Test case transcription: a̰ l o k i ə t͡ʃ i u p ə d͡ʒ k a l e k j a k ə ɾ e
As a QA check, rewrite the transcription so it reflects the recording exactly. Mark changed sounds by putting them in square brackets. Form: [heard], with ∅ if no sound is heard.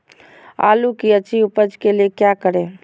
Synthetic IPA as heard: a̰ l [u] k i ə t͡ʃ i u p ə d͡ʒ k [e] l e k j a k ə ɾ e